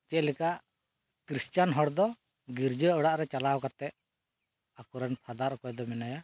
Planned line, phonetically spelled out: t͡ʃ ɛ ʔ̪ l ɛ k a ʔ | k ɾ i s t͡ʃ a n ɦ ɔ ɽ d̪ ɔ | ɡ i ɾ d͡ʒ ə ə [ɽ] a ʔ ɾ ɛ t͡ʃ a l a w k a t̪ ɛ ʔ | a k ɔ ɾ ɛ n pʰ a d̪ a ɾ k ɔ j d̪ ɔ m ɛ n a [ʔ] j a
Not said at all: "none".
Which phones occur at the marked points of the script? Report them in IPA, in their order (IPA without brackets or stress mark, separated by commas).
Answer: ɽ, none